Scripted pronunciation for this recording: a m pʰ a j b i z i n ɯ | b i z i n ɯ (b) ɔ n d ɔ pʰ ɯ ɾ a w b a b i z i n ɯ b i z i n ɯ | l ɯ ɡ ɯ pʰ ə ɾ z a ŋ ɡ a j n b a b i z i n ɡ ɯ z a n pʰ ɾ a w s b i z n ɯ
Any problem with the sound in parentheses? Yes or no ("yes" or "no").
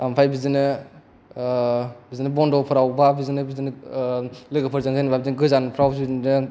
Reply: no